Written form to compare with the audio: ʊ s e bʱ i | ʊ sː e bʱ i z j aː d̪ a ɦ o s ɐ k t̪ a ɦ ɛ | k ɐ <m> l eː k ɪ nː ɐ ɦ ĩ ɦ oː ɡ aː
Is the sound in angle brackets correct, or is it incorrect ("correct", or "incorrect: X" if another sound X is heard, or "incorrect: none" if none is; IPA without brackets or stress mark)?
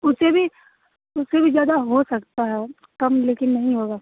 correct